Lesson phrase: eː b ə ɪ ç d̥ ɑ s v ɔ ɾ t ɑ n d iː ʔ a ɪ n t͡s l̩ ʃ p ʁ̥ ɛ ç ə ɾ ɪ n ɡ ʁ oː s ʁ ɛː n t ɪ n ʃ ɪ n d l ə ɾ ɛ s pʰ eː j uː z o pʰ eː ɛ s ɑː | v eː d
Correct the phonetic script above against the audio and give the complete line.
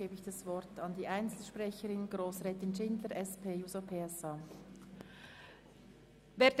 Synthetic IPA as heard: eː b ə ɪ ç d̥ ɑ s v ɔ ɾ t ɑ n d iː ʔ a ɪ n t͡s l̩ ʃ p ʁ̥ ɛ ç ə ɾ ɪ n ɡ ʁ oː s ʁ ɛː t ɪ n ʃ ɪ n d l ə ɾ ɛ s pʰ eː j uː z o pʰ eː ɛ s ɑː | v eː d